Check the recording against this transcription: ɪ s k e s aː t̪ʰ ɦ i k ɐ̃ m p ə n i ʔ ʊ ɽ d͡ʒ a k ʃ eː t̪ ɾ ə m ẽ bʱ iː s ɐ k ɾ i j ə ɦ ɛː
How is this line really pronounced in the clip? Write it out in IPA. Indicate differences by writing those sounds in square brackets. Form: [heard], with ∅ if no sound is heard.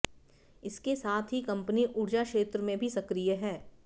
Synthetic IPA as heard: ɪ s k e s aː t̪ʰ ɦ i k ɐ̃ m p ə n i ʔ ʊ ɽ d͡ʒ a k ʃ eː t̪ ɾ ə m ẽ bʱ [i] s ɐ k ɾ i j ə ɦ ɛː